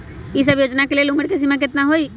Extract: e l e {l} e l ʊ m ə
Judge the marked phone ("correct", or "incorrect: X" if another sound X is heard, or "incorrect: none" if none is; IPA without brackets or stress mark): incorrect: none